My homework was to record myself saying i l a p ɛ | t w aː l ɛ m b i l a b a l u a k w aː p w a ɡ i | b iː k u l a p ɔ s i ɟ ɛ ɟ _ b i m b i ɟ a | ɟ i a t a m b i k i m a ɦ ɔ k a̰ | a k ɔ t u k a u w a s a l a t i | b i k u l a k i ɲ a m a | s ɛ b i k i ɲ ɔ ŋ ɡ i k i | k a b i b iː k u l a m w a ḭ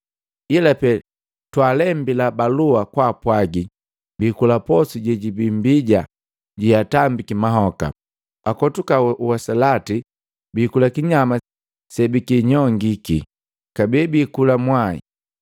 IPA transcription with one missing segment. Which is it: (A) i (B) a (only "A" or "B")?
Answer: A